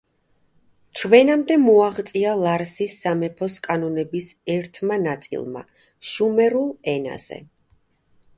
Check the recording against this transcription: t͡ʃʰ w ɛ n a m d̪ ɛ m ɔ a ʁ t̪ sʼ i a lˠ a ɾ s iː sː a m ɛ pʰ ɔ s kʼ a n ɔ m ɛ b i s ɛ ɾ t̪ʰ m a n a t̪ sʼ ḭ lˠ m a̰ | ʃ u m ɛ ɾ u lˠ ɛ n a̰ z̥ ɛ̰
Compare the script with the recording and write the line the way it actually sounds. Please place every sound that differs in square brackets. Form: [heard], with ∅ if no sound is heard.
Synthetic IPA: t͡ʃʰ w ɛ n a m d̪ ɛ m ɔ a ʁ t̪ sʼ i a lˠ a ɾ s [i] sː a m ɛ pʰ ɔ s kʼ a n ɔ [n] ɛ b i s ɛ ɾ t̪ʰ m a n a t̪ sʼ ḭ lˠ m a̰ | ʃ u m ɛ ɾ u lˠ ɛ n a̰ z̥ ɛ̰